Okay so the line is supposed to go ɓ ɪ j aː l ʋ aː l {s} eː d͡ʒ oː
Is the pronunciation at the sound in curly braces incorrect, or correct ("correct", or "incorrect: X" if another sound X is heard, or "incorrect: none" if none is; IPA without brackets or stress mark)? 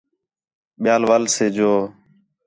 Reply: correct